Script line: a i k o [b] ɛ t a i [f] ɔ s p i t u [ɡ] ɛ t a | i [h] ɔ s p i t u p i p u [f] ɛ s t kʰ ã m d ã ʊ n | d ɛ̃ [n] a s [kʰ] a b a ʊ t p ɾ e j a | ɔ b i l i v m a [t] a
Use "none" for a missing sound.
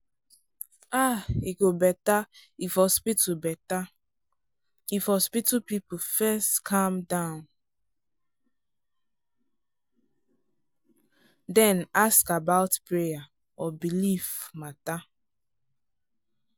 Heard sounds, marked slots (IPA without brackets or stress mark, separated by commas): b, f, b, f, f, n, k, t